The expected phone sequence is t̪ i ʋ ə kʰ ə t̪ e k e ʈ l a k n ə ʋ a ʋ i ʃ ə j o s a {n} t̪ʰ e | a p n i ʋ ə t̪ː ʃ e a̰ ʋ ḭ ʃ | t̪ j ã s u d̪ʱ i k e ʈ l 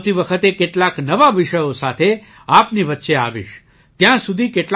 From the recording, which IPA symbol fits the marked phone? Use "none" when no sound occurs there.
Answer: none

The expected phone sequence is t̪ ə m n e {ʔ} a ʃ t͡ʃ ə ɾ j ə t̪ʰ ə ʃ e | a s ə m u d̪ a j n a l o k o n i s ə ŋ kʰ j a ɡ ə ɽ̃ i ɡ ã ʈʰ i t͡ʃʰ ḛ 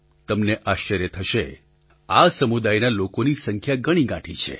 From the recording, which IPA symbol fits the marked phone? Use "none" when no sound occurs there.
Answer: ʔ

